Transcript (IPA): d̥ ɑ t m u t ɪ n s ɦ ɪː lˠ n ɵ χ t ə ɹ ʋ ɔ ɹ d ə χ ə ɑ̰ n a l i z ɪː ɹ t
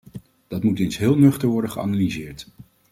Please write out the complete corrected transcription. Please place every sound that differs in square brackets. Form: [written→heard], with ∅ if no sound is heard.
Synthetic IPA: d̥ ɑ t m u t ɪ n s ɦ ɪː lˠ n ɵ χ t ə ɹ ʋ ɔ ɹ d ə χ ə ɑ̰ n a l i z ɪː ɹ t